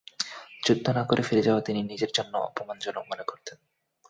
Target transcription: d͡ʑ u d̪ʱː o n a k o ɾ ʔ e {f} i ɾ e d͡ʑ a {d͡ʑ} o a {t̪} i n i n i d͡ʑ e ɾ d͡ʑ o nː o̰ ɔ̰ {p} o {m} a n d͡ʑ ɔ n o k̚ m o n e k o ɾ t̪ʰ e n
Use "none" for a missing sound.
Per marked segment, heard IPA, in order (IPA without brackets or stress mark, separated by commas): f, none, t̪, p, m